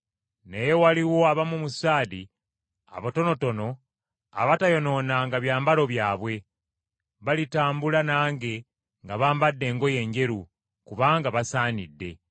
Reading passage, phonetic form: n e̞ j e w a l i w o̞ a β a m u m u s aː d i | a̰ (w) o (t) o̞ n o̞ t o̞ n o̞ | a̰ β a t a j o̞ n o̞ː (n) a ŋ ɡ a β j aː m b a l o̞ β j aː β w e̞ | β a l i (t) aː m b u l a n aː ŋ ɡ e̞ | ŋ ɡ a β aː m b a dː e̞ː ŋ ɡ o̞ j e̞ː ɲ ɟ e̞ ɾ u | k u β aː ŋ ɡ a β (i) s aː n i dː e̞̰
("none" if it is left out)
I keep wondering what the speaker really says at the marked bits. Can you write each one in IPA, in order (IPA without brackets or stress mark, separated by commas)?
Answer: β, t, n, t, a